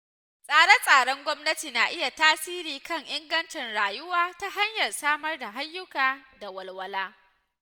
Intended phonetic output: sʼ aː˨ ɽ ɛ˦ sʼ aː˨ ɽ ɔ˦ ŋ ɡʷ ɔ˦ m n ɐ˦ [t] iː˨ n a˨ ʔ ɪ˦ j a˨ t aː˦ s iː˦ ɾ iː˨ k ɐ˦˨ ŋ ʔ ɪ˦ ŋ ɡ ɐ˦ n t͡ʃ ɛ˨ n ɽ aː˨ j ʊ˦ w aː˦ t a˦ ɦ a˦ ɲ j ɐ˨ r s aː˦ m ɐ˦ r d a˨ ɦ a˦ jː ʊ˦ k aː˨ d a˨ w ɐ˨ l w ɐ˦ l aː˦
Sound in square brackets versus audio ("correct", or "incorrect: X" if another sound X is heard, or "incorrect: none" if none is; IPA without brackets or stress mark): correct